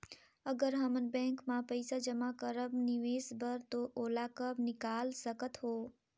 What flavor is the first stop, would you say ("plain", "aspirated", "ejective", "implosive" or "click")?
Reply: plain